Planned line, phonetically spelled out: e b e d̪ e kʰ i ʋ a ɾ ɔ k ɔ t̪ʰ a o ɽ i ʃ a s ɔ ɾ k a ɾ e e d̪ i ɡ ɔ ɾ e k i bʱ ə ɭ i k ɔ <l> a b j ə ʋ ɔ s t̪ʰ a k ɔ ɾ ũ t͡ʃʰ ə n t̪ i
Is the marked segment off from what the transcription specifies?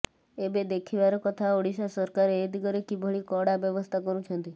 yes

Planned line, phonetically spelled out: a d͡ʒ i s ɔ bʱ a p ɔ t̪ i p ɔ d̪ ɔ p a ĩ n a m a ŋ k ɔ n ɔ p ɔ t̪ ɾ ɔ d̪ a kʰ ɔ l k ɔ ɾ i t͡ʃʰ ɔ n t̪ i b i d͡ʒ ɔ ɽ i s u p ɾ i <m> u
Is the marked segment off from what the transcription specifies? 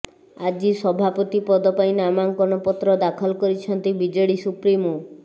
no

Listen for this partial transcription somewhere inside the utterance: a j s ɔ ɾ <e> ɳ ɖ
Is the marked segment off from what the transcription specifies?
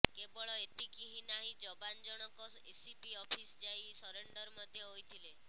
no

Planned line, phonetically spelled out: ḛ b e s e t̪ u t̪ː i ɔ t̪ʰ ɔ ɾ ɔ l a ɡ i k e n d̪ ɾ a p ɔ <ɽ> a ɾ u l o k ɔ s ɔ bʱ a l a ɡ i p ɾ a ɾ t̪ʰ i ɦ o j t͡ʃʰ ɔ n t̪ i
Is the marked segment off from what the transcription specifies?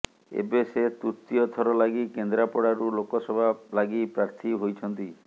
no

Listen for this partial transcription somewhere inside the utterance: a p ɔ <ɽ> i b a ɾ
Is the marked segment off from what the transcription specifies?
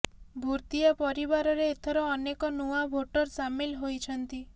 yes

